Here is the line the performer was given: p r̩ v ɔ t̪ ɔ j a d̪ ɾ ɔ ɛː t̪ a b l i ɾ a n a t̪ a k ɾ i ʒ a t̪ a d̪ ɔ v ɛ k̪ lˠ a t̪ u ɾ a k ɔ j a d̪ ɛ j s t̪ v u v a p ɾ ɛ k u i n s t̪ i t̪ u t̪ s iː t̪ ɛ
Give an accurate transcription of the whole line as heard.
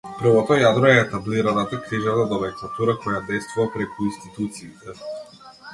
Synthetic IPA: p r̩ v ɔ t̪ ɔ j a d̪ ɾ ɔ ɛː t̪ a b l i ɾ a n a t̪ a k ɾ i ʒ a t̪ a d̪ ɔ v ɛ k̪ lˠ a t̪ u ɾ a k ɔ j a d̪ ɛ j s t̪ v u v a p ɾ ɛ k u i n s t̪ i t̪ u t̪ s iː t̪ ɛ